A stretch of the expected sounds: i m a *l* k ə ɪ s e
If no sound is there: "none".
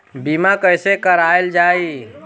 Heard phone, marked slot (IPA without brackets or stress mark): none